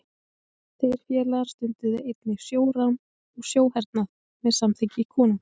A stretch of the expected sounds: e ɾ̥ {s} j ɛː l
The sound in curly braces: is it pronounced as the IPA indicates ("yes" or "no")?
no